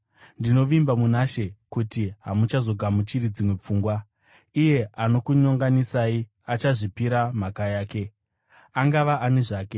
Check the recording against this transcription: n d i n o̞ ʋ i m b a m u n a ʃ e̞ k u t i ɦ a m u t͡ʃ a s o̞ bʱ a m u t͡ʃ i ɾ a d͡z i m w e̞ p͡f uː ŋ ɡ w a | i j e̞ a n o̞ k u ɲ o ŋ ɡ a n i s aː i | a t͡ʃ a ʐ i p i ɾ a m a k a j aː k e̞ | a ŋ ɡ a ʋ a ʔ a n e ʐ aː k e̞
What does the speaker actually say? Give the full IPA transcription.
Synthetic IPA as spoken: n d i n o̞ ʋ i m b a m u n a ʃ e̞ k u t i ɦ a m u t͡ʃ a z o̞ ɡʱ a m u t͡ʃ i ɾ i d͡z i m w e̞ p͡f uː ŋ ɡ w a | i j e̞ a n o̞ k u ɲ o ŋ ɡ a n i s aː i | a t͡ʃ a ʐ i p i ɾ a m a k a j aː k e̞ | a ŋ ɡ a ʋ a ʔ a n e ʐ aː k e̞